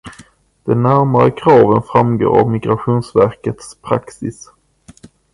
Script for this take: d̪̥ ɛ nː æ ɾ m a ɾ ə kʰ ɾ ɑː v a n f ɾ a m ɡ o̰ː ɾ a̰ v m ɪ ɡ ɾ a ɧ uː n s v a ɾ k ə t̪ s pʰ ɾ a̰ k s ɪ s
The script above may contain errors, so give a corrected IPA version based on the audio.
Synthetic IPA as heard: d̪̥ ɛ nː æ ɾ m a ɾ ə kʰ ɾ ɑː v ə n f ɾ a m ɡ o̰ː ɾ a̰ v m ɪ ɡ ɾ a ɧ uː n s v æ ɾ k ə t̪ s pʰ ɾ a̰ k s ɪ s